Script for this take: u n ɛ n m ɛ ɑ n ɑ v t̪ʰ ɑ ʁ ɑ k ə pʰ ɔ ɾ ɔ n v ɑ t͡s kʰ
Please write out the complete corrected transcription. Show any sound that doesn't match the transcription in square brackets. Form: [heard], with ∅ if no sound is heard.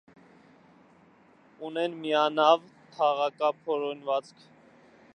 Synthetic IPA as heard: u n ɛ n m [i] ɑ n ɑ v t̪ʰ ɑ ʁ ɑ k [ɑ] pʰ ɔ ɾ ɔ n v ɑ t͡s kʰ